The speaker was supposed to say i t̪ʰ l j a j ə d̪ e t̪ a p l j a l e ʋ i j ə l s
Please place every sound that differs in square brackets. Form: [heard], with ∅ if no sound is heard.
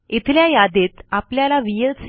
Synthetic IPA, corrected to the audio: i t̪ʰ l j a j [a] d̪ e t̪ a p l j a l [a] ʋ i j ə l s